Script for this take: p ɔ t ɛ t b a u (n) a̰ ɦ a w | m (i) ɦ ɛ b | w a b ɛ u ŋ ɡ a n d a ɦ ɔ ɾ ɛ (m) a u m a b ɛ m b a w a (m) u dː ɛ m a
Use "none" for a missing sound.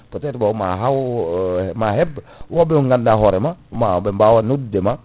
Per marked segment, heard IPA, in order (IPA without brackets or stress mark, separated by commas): m, a, m, n